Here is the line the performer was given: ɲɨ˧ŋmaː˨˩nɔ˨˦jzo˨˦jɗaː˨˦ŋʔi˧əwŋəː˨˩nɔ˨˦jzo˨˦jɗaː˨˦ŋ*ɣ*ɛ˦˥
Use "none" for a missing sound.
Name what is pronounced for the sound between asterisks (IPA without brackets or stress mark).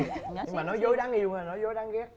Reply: ɣ